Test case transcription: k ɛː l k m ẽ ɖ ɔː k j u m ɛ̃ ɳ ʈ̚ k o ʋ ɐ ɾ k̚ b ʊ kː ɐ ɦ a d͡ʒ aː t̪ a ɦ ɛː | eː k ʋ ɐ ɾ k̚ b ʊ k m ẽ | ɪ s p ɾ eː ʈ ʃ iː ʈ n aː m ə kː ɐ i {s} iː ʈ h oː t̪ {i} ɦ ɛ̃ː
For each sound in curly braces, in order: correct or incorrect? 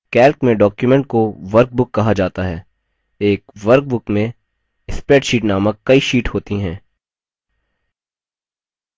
incorrect: ʃ, correct

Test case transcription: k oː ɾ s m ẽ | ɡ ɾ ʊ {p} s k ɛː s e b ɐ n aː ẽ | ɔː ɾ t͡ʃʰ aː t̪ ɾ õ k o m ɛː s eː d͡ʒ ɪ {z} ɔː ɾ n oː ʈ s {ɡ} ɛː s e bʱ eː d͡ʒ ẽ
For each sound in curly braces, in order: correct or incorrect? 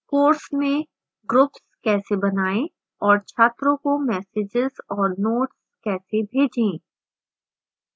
correct, correct, incorrect: k

